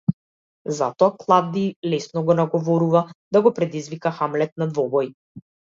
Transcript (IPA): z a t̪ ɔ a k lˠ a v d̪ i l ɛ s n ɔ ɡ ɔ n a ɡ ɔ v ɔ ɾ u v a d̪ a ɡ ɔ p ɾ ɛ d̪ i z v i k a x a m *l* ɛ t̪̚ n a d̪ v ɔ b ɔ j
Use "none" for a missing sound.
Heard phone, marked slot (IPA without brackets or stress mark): l